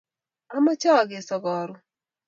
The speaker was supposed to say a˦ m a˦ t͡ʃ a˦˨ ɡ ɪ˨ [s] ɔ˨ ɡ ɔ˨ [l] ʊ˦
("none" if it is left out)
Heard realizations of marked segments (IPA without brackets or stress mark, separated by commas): s, ɾ